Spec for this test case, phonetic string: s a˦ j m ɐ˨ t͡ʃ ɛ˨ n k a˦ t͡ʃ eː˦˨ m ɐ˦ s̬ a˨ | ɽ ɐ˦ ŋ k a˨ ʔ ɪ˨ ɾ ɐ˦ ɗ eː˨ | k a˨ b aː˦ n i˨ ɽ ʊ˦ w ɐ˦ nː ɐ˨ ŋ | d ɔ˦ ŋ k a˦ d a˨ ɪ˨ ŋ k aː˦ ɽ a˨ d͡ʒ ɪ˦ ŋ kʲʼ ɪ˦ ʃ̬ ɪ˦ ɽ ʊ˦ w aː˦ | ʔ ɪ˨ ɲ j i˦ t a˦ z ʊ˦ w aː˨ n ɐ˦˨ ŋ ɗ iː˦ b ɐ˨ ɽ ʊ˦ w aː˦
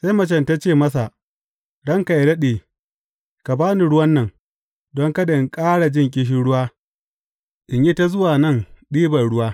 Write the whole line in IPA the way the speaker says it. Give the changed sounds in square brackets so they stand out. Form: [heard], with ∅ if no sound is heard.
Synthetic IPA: s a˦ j m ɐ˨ t͡ʃ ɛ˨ n [t] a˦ t͡ʃ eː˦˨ m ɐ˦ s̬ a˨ | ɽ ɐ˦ ŋ k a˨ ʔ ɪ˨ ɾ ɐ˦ ɗ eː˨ | k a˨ b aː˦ n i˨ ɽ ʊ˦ w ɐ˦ nː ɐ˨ ŋ | d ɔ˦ ŋ k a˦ d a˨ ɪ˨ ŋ [kʼ] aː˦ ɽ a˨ d͡ʒ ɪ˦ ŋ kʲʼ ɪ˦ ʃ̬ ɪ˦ ɽ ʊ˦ w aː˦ | ʔ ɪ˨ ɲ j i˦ t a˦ z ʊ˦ w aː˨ n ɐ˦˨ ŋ ɗ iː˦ b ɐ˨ ɽ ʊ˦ w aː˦

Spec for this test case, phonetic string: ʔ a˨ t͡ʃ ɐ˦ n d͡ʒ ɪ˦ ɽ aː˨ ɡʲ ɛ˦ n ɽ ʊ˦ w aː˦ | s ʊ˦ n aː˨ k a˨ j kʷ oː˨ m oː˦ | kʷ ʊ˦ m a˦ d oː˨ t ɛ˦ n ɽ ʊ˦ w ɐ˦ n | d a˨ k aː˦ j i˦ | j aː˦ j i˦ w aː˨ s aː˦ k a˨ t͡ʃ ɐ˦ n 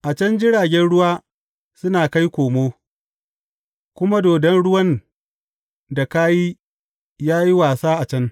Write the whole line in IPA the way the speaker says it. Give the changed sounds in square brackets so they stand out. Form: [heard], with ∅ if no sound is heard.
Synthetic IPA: ʔ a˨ t͡ʃ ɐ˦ n d͡ʒ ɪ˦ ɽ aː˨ ɡʲ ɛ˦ n ɽ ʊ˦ w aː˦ | s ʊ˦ n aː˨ k [a˦] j kʷ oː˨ m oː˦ | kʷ ʊ˦ m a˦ d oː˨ [d] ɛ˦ n ɽ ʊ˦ w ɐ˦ n | d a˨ k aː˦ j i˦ | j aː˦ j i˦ w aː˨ s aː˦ [ʔ] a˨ t͡ʃ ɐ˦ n

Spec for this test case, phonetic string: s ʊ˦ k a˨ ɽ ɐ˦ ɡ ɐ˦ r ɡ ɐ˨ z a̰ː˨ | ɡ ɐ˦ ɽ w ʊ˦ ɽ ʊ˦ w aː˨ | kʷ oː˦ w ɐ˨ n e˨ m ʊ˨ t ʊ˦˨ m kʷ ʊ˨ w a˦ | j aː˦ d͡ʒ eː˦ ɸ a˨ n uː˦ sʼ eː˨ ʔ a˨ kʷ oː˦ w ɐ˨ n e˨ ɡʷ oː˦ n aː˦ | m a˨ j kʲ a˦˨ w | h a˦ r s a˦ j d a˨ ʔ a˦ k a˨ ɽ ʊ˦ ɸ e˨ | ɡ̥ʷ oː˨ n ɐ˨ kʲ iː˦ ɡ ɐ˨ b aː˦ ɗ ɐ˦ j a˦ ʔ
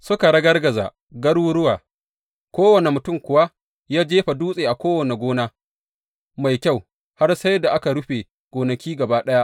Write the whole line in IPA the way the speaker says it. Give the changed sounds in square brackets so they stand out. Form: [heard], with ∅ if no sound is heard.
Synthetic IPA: s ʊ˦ k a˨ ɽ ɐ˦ ɡ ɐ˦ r ɡ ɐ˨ z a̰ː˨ | ɡ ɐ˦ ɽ w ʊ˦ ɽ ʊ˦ w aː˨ | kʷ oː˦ w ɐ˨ n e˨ m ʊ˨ t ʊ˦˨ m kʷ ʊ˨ w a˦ | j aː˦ d͡ʒ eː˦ ɸ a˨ [d] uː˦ sʼ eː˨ ʔ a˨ kʷ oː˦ w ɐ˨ n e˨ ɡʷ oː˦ n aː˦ | m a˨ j kʲ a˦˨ w | h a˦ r s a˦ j d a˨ ʔ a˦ k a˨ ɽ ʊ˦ ɸ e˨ | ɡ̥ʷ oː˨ n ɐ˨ kʲ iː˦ ɡ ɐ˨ b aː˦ ɗ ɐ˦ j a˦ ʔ

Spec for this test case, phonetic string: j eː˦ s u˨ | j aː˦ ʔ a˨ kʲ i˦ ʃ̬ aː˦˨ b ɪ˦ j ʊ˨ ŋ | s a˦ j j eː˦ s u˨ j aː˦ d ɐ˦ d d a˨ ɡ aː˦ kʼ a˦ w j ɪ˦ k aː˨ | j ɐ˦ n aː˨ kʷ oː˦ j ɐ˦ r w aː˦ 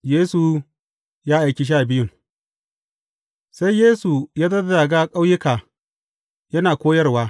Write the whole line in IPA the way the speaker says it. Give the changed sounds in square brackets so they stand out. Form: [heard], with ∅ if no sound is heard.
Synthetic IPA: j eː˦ s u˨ | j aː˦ ʔ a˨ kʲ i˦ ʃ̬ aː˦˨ b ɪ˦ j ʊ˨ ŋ | s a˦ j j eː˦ s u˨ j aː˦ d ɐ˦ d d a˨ ɡ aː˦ kʼ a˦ w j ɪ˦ k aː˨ | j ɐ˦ n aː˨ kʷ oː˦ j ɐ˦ r w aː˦

